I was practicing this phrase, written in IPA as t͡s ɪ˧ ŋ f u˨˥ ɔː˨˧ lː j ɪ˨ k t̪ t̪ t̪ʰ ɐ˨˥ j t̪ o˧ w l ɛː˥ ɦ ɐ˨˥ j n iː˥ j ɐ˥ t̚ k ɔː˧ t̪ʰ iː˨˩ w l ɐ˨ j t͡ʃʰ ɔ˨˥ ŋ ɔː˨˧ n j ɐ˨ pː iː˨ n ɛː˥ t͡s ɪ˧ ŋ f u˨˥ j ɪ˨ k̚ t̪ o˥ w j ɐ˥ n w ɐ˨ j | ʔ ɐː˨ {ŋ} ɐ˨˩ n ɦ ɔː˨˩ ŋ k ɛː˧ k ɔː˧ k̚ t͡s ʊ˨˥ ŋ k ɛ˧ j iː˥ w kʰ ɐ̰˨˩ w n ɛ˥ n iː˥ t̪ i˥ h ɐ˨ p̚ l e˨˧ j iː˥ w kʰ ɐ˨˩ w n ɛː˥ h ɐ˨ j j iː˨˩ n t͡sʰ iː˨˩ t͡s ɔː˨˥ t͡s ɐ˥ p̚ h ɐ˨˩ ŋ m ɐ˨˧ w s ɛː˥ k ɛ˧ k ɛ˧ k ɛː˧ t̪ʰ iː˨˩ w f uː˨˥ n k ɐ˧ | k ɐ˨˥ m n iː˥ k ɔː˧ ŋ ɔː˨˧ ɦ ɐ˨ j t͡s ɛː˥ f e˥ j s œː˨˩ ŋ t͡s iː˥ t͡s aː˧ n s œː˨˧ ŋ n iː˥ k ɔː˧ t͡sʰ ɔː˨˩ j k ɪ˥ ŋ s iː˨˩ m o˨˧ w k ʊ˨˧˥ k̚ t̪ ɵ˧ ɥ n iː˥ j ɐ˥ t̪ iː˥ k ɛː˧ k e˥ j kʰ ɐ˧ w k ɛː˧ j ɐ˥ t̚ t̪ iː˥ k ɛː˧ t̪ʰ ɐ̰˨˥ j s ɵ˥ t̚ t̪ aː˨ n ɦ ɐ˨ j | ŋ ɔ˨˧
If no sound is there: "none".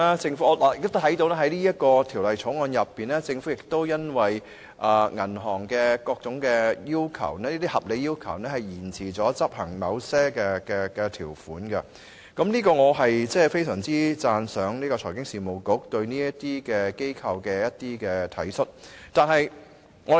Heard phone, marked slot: ŋ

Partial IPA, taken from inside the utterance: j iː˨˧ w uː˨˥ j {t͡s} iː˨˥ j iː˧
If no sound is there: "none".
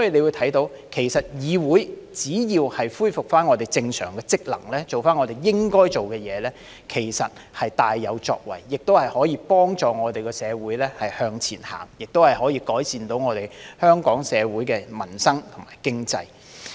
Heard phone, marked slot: t͡s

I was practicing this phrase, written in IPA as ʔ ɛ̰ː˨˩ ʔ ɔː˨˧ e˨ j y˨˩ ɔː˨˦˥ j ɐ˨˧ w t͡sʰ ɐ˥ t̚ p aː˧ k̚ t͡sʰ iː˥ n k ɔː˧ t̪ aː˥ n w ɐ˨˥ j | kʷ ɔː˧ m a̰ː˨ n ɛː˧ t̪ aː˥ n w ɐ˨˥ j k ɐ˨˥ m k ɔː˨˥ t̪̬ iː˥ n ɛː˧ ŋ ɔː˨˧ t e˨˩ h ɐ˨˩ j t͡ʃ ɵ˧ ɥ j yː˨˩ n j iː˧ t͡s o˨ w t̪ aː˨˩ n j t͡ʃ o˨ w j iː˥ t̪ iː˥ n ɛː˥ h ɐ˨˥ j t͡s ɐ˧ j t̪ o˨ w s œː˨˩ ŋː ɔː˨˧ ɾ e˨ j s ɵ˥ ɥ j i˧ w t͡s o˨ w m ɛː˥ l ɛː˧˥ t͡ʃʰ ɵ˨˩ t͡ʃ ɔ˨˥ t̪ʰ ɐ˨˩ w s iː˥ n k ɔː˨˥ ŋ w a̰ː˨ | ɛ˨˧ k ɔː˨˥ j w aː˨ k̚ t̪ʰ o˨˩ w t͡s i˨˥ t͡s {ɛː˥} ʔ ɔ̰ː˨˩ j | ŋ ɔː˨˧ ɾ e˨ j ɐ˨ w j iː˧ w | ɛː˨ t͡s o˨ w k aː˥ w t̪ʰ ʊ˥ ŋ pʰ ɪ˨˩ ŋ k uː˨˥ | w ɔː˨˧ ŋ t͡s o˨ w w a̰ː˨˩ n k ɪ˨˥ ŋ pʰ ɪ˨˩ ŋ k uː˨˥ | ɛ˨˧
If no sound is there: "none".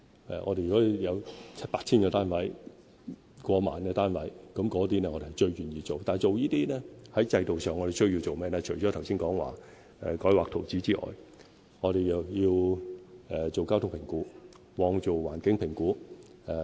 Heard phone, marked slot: iː˥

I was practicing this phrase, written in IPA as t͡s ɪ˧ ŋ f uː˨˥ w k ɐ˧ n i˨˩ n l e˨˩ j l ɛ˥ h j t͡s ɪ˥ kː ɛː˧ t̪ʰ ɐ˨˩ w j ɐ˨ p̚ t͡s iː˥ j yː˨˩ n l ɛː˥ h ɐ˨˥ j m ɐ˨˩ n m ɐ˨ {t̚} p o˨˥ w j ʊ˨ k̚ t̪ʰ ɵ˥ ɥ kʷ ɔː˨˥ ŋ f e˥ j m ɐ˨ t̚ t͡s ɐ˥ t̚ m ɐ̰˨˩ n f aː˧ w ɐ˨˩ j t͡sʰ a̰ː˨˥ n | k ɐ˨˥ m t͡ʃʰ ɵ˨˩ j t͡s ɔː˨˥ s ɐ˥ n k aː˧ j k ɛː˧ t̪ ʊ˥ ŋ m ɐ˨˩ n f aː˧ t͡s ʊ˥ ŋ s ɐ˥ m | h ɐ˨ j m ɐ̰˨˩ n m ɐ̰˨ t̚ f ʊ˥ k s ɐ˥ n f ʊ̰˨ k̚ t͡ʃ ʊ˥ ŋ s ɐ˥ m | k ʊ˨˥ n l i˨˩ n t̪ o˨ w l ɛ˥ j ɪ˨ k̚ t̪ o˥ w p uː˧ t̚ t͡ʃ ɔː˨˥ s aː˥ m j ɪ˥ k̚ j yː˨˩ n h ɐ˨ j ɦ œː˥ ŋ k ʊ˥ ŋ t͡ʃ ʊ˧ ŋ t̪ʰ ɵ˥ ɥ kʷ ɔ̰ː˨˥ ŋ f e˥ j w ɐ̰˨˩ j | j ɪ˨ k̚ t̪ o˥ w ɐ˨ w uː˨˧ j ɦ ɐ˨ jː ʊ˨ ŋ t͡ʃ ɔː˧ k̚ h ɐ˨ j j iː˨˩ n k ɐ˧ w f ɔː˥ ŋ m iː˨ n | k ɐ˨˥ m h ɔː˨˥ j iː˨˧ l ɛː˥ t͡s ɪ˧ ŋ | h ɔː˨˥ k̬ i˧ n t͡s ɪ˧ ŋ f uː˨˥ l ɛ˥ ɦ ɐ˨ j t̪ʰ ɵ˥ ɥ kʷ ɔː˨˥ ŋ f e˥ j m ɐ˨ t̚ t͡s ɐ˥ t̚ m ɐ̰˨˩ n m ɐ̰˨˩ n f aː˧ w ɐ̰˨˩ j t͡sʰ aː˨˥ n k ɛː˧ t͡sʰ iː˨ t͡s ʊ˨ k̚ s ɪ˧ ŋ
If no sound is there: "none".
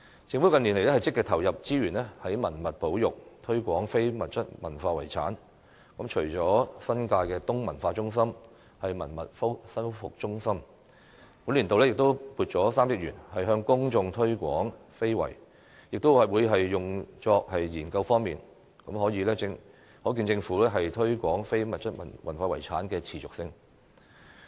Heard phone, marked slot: t̚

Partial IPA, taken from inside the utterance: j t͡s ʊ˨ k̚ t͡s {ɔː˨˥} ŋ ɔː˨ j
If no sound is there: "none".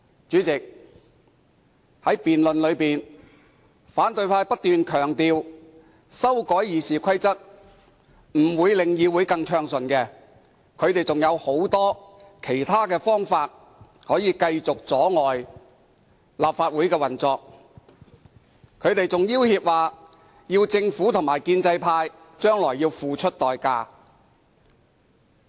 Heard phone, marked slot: ɔː˨˥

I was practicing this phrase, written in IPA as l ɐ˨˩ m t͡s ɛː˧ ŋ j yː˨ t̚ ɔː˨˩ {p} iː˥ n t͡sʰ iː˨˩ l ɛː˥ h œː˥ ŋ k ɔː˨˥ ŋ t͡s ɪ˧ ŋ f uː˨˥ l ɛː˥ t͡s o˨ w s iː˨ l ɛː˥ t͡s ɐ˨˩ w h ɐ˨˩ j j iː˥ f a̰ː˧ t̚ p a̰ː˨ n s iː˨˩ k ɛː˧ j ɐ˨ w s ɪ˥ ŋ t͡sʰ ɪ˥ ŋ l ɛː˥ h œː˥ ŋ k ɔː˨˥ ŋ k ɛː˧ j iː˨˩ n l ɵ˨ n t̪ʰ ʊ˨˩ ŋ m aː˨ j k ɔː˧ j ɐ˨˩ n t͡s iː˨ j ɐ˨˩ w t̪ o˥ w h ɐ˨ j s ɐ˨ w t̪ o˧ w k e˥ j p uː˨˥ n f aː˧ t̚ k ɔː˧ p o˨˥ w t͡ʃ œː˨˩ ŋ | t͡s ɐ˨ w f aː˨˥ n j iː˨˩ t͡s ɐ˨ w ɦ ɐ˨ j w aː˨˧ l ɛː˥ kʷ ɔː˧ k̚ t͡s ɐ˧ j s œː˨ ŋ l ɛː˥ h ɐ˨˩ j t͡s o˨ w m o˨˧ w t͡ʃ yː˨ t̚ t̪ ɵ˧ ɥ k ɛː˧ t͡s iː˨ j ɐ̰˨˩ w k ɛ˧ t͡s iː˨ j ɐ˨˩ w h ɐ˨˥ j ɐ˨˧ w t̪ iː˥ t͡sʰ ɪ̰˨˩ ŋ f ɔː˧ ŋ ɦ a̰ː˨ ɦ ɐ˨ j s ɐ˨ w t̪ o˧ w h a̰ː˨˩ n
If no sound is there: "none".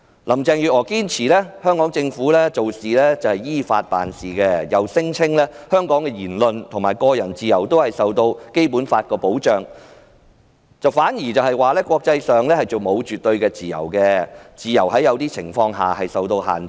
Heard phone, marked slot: k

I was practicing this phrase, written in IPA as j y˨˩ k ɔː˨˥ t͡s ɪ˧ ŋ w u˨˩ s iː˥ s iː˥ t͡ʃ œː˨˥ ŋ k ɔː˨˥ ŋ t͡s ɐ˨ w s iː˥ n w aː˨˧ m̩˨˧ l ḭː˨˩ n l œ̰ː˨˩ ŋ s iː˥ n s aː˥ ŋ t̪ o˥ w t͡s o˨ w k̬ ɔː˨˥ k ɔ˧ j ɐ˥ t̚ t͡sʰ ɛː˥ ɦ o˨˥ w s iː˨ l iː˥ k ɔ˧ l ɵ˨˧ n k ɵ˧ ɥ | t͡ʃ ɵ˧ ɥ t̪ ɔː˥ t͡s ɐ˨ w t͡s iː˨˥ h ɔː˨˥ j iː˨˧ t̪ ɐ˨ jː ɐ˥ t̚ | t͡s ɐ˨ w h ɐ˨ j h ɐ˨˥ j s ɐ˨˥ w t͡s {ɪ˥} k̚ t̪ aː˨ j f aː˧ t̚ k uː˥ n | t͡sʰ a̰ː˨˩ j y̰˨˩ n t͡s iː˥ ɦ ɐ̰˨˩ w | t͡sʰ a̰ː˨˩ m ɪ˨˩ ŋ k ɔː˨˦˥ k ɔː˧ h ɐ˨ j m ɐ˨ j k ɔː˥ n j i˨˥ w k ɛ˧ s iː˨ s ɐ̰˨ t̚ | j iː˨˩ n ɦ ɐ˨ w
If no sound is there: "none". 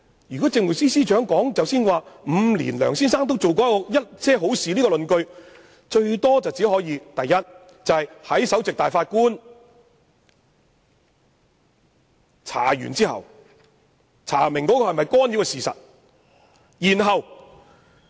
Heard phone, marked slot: ɪ˨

